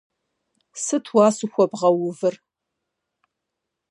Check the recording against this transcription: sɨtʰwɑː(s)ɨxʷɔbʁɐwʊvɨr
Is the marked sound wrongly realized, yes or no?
no